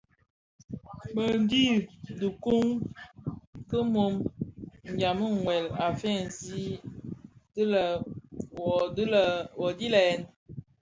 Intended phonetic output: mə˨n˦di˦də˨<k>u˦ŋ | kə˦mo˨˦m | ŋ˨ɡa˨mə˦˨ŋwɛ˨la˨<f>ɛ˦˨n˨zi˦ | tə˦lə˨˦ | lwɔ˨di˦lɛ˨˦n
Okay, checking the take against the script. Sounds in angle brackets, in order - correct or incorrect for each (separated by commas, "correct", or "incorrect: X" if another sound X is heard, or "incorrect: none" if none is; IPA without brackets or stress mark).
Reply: correct, correct